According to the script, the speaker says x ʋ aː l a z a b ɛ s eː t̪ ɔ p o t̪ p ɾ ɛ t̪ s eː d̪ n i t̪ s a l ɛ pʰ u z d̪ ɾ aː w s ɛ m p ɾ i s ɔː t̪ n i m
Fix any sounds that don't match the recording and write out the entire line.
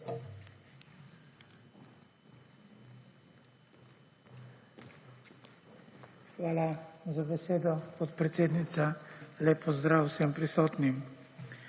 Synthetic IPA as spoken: x ʋ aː l a z a b ɛ s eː d̪ ɔ p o t̪ p ɾ ɛ t̪ s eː d̪ n i t̪ s a l ɛ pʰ ɔ z d̪ ɾ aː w s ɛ m p ɾ i s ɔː t̪ n i m